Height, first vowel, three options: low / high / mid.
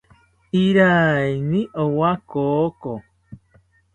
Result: high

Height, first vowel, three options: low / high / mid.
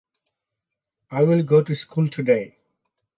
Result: low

